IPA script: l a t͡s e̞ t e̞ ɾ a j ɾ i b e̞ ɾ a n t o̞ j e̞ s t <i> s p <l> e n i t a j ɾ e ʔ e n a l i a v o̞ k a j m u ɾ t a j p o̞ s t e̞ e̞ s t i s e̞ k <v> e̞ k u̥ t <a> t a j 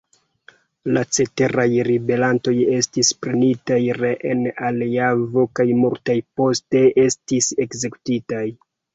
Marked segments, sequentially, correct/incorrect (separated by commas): correct, incorrect, incorrect, incorrect